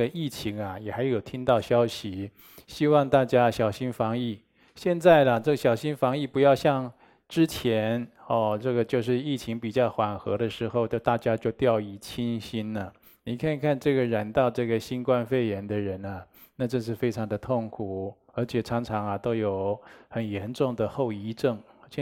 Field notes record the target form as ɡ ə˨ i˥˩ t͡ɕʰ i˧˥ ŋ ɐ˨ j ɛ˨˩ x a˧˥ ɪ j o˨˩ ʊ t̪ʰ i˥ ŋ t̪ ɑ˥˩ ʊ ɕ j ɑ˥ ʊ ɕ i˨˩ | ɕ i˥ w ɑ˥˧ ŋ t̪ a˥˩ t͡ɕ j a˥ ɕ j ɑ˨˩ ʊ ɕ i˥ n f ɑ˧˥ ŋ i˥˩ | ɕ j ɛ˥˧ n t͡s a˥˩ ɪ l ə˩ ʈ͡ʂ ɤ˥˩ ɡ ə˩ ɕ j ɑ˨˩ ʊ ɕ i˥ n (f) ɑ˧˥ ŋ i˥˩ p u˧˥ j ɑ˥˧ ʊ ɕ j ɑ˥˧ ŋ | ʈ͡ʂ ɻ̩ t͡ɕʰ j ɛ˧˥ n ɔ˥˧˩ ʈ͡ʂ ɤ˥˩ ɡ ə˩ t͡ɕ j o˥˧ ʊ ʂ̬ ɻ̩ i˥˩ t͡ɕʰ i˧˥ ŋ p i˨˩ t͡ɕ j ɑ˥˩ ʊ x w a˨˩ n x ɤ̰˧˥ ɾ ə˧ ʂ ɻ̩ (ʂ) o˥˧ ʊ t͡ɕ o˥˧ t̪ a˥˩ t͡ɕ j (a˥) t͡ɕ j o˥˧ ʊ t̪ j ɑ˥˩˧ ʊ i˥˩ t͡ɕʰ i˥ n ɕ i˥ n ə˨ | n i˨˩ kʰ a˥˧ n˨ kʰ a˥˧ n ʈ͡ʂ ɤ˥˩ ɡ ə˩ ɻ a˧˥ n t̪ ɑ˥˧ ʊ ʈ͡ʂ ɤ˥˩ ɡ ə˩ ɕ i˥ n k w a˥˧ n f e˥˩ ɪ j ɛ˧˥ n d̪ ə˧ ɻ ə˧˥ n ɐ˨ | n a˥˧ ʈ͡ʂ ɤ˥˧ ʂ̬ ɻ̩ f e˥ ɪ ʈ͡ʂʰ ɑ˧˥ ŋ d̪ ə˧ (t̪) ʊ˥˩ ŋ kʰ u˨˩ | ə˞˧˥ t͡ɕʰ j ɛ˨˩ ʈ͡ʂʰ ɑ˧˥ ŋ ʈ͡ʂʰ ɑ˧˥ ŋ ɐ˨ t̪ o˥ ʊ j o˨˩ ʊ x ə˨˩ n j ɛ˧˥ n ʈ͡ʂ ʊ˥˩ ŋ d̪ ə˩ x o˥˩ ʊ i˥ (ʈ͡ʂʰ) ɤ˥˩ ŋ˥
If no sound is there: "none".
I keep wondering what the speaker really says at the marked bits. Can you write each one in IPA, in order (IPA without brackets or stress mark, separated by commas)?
f, x, a˥, t̪ʰ, ʈ͡ʂ